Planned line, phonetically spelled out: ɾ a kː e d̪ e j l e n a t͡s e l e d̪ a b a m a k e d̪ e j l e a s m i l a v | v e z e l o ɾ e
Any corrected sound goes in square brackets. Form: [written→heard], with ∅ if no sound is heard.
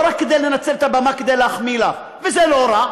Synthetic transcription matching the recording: ɾ a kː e d̪ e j l e n a t͡s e l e [d̪→t̪] a b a m a k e d̪ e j l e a [s→χ] m i l a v | v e z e l o ɾ [e→a]